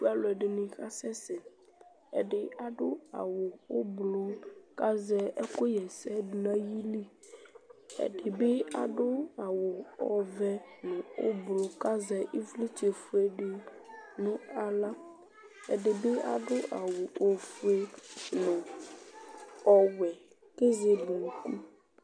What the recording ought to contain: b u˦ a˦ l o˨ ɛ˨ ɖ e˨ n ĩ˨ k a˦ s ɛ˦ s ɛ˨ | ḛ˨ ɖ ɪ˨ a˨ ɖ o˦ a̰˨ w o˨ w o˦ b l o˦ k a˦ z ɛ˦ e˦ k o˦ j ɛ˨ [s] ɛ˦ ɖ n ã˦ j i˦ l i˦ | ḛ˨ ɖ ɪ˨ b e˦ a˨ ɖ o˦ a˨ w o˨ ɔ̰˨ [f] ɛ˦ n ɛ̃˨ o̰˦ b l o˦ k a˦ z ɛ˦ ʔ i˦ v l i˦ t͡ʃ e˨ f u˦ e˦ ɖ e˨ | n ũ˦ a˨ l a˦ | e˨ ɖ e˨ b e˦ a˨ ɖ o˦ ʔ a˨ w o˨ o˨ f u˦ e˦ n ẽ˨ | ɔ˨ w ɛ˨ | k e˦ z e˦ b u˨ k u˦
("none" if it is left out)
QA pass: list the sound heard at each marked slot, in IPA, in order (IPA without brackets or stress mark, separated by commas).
s, v